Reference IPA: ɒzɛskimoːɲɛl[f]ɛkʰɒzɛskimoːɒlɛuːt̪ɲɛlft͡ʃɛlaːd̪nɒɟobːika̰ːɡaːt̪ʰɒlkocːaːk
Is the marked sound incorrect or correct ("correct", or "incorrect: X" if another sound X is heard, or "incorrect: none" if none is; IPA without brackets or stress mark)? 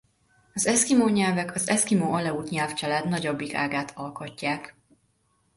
incorrect: v